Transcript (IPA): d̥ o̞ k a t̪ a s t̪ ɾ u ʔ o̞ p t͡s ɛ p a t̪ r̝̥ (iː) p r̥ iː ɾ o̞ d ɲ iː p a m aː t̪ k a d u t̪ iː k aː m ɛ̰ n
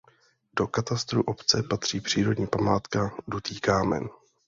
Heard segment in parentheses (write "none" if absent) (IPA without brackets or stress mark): iː